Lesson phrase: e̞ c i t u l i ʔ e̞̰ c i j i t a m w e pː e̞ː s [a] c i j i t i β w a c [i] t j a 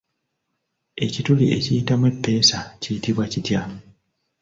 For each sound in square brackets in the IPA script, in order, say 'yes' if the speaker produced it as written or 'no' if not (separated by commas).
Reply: yes, yes